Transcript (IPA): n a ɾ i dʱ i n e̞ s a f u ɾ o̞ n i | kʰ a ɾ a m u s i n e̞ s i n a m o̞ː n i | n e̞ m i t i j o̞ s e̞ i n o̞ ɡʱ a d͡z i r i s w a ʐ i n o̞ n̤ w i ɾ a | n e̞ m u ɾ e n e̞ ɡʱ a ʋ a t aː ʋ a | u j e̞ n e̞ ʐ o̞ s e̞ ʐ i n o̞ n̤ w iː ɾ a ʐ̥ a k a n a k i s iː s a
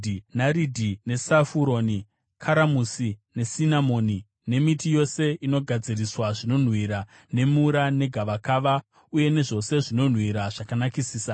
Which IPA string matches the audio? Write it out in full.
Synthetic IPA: n a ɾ i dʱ i n e̞ s a f u ɾ o̞ n i | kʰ a ɾ a m u s i n e̞ s i n a m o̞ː n i | n e̞ m i t i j o̞ s e̞ i n o̞ ɡʱ a d͡z i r i s w a ʐ i n o̞ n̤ w i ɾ a | n e̞ m u ɾ a n e̞ ɡʱ a ʋ a k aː ʋ a | u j e̞ n e̞ ʐ o̞ s e̞ ʐ i n o̞ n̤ w i ɾ a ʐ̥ a k a n a k i s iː s a